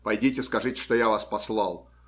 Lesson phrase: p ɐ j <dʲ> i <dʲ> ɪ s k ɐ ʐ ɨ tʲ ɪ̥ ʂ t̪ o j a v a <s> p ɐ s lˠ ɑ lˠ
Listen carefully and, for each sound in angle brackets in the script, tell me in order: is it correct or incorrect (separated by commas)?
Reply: correct, incorrect, correct